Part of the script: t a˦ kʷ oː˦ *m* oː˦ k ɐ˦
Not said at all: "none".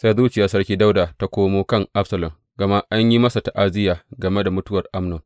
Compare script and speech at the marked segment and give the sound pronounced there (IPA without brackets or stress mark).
m